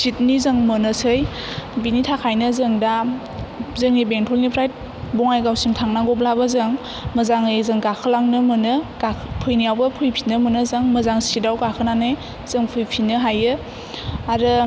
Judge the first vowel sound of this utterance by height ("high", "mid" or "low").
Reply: high